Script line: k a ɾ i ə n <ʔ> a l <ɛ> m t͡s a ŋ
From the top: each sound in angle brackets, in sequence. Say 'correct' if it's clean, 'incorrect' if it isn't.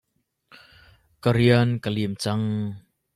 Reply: incorrect: k, incorrect: i

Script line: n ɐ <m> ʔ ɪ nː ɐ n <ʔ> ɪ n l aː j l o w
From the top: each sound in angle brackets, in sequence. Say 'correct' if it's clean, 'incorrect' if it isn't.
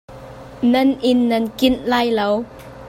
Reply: incorrect: n, incorrect: k

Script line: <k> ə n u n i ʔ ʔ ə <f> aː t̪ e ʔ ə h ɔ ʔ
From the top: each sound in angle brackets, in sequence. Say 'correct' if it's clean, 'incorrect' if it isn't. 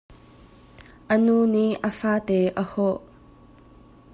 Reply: incorrect: ʔ, correct

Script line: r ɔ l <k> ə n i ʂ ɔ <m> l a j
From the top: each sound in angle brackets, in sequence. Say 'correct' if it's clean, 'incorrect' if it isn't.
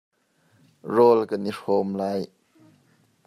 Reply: correct, correct

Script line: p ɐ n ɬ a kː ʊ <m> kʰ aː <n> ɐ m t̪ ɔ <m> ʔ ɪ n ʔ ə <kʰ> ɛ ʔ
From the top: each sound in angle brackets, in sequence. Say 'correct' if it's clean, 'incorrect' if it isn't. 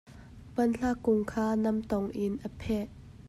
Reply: incorrect: ŋ, correct, incorrect: ŋ, incorrect: pʰ

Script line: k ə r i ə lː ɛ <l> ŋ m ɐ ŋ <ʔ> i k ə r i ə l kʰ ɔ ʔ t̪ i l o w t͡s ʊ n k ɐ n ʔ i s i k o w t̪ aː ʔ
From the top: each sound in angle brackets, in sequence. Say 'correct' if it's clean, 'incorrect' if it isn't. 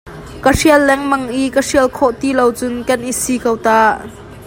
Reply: incorrect: none, correct

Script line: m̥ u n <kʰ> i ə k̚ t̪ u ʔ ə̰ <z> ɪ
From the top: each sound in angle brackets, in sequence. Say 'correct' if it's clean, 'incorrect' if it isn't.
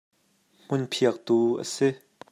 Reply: incorrect: pʰ, incorrect: s

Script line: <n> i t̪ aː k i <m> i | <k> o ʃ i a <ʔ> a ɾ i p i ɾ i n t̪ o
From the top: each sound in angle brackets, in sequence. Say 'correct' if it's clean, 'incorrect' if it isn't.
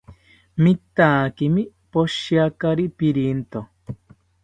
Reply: incorrect: m, correct, incorrect: p, incorrect: k

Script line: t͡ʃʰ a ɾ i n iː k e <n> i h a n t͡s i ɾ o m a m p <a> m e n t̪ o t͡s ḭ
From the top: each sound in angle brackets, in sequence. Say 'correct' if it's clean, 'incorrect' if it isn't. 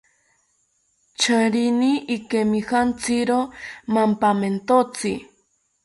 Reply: incorrect: m, correct

